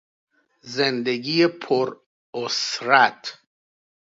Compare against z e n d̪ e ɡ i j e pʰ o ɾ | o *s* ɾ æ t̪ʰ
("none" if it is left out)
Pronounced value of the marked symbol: s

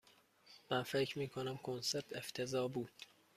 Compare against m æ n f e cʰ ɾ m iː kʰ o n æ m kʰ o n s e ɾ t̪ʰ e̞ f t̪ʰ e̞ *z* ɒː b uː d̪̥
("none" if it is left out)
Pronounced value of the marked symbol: z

